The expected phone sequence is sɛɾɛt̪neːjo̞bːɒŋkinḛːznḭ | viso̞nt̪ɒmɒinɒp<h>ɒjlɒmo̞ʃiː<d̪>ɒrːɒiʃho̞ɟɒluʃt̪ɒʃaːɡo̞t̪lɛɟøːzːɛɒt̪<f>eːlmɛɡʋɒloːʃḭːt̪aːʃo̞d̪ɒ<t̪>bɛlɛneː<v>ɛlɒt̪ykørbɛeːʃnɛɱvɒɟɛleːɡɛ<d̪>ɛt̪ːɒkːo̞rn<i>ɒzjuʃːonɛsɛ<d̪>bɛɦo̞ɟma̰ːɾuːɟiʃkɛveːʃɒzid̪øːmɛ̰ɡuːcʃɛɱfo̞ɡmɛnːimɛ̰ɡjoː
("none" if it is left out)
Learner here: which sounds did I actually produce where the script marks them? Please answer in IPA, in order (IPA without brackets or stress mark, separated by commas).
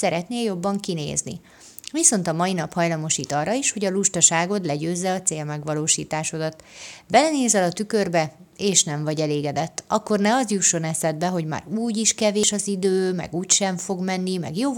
h, t̪, s, t̪, z, d̪, ɛ, d̪